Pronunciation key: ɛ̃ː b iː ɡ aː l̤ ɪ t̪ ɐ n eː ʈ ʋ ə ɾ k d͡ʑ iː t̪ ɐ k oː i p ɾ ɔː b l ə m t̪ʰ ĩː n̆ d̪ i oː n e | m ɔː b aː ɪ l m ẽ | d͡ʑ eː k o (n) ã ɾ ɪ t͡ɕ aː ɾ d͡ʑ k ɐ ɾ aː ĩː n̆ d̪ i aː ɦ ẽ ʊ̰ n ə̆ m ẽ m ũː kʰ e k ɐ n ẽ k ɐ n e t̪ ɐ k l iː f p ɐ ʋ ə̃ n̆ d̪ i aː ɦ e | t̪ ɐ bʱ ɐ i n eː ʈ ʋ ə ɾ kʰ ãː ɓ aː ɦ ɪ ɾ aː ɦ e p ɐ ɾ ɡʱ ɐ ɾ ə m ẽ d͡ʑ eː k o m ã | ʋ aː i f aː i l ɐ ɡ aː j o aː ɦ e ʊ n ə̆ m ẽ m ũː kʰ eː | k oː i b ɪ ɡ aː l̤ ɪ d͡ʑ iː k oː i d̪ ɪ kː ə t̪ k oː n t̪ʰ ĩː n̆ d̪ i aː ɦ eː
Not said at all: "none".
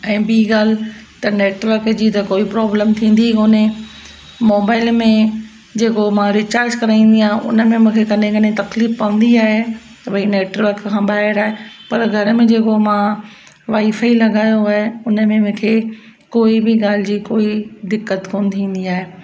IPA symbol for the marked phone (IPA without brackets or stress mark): m